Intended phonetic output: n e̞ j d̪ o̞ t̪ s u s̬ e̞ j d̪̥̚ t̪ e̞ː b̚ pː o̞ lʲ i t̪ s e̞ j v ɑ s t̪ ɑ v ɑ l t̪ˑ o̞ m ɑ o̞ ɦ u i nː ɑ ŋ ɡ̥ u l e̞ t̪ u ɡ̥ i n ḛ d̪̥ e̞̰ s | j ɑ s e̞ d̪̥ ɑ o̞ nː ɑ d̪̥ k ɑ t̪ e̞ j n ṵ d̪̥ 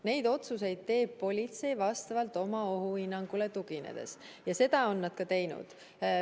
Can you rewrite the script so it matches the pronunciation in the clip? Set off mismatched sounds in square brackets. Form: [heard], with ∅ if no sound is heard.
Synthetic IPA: n e̞ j d̪ o̞ t̪ s u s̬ e̞ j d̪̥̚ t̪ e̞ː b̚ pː o̞ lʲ i t̪ s e̞ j v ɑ s t̪ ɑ v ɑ l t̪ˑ o̞ m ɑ o̞ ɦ u i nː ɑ ŋ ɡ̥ u l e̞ t̪ u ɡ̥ i n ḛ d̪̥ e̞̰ s | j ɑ s e̞ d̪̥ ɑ o̞ nː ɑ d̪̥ k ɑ t̪ e̞ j n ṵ d̪̥